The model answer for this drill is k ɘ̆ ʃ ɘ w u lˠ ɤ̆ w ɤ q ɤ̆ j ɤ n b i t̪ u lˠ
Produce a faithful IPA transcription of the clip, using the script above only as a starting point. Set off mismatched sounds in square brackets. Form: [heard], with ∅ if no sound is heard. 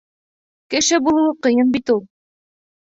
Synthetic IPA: k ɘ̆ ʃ ɘ [b] u lˠ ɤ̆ w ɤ q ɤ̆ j ɤ n b i t̪ u lˠ